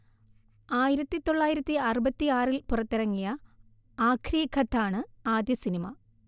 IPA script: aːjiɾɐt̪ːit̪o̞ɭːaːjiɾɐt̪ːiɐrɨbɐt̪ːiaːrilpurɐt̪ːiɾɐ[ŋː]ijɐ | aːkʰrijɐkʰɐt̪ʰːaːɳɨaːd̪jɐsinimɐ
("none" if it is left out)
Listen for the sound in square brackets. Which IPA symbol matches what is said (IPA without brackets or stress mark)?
ŋː